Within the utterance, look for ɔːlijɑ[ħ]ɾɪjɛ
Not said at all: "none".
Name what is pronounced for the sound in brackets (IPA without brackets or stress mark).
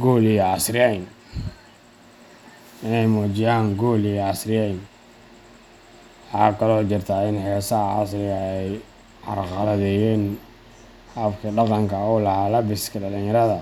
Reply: s